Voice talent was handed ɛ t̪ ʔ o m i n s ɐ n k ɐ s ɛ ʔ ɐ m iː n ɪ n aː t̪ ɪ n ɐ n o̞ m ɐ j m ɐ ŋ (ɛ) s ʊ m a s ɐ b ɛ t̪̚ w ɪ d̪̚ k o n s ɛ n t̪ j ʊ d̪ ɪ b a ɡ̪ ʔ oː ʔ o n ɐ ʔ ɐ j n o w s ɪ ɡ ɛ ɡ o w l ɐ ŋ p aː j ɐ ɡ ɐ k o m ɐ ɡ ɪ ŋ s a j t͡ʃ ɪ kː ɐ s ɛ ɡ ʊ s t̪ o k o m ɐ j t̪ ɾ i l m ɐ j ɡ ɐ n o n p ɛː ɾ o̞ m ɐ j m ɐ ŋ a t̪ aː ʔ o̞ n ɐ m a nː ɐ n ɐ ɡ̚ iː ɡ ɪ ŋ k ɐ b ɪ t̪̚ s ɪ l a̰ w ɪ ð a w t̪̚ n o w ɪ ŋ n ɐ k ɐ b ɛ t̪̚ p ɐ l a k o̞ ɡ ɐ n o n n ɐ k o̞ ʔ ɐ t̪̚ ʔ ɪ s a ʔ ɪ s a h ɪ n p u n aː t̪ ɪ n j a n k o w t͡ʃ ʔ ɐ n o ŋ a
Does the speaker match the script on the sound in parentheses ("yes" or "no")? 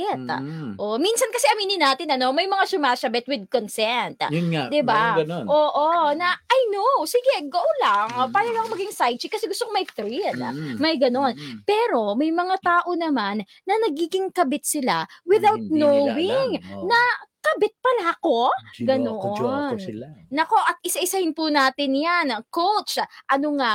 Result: no